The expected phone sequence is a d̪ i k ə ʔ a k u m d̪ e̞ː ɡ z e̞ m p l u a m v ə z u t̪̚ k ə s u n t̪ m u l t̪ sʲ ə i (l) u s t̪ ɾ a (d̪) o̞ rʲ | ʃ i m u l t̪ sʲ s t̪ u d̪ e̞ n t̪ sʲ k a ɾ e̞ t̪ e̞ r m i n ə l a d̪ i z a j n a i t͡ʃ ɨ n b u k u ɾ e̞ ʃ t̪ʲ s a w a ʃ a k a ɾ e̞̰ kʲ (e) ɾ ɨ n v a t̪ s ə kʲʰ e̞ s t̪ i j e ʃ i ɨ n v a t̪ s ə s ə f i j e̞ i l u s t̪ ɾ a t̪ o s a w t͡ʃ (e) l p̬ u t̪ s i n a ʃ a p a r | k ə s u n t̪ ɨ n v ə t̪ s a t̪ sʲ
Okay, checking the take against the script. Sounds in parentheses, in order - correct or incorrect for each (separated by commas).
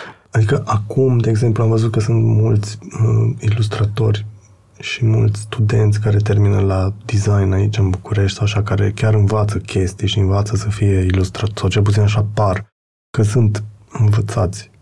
correct, incorrect, incorrect, correct